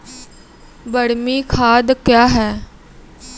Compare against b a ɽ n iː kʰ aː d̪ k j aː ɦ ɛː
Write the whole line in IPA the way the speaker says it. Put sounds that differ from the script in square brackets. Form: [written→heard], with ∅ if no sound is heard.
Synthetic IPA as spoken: b [a→ə] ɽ [n→m] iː kʰ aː d̪ k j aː ɦ ɛː